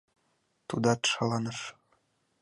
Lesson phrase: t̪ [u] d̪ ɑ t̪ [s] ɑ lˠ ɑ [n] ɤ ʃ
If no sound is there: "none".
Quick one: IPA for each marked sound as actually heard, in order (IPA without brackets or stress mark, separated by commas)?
u, ʃ, n